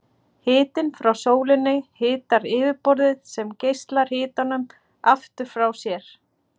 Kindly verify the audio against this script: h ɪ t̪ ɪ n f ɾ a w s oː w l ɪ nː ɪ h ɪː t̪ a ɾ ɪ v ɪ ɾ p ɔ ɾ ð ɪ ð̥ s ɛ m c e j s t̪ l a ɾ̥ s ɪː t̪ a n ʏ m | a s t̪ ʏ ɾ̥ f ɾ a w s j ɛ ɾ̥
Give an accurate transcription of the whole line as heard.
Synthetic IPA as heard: h ɪː t̪ ɪ n f ɾ a w s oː w l ɪ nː ɪ h ɪː t̪ a ɾ ɪː v ɪ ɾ p ɔ ɾ ð ɪ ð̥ s ɛ m c e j s t̪ l a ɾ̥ h ɪː t̪ a n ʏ m | a f t̪ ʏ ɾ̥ f ɾ a w s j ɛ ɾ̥